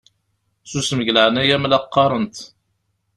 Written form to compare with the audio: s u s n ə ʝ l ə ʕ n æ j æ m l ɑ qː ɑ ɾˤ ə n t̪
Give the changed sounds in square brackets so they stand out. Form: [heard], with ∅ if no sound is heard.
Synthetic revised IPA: s u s [m] ə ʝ l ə ʕ n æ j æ m l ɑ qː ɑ ɾˤ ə n t̪